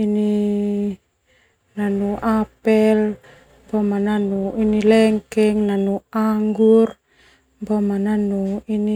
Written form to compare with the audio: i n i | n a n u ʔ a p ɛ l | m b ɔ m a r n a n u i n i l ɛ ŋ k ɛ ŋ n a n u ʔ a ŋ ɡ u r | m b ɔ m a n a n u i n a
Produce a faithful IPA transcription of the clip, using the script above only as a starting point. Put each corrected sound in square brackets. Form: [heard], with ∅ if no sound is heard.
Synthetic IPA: i n i | n a n u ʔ a p ɛ l | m b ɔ m a [∅] n a n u i n i l ɛ ŋ k ɛ ŋ n a n u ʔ a ŋ ɡ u r | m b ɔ m a n a n u i n [i]